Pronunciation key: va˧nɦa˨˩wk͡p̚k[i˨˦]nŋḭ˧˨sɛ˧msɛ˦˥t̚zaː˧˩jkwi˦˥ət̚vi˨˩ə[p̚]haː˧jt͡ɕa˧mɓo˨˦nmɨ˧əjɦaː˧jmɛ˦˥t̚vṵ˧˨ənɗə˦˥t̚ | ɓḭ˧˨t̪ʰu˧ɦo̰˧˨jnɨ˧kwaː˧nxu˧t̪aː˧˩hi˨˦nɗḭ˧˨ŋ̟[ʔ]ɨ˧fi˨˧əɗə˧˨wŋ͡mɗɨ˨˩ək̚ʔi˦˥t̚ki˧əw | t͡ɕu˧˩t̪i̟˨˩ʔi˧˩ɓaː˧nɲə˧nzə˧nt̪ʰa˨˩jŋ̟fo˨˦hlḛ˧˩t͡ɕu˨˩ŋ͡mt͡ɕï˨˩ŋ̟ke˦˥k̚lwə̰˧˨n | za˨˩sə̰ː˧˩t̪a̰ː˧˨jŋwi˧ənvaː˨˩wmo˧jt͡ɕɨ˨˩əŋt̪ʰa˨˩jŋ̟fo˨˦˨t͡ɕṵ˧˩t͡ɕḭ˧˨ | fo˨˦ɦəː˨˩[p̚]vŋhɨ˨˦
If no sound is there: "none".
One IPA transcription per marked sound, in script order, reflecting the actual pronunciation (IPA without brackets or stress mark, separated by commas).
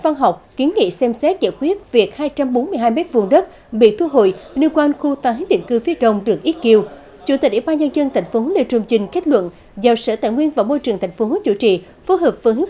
i˨˦, k̚, k, p̚